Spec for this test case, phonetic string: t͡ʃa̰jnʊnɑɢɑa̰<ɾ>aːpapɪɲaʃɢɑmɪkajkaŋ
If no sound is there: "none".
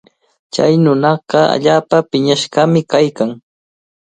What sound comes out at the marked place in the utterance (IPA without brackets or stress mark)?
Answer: ʎ